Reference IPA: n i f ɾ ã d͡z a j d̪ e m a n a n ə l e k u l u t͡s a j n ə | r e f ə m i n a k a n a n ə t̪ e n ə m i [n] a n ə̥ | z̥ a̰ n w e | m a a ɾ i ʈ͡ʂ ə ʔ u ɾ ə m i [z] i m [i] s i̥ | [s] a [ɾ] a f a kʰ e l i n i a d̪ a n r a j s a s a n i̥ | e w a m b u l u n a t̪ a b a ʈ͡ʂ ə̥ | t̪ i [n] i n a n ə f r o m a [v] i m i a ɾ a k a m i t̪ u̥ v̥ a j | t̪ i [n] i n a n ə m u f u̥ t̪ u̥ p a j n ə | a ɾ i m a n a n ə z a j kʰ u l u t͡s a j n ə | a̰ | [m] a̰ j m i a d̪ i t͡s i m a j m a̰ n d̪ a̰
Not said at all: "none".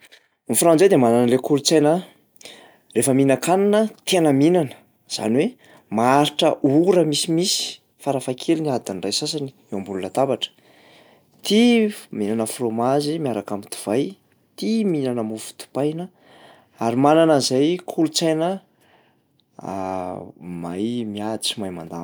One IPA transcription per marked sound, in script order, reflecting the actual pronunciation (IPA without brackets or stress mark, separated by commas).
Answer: n, s, i, f, ɾ, m, z, m, m